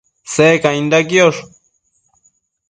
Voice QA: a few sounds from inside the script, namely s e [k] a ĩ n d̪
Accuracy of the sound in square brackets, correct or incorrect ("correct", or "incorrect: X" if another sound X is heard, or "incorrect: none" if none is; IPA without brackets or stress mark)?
correct